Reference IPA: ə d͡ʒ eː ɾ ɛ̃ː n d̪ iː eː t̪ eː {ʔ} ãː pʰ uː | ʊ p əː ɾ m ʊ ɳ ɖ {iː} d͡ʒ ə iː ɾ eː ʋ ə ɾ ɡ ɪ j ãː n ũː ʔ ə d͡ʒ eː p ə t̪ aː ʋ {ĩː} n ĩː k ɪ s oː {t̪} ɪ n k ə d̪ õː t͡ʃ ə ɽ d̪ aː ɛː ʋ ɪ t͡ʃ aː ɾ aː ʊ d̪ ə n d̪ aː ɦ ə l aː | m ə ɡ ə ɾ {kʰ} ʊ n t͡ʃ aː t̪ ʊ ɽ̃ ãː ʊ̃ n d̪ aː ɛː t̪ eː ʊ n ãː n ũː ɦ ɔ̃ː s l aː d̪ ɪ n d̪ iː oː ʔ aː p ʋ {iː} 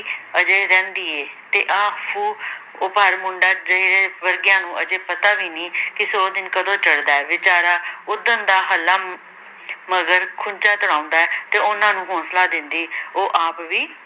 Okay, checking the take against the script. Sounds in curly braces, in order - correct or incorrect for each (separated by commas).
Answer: correct, incorrect, incorrect, incorrect, correct, correct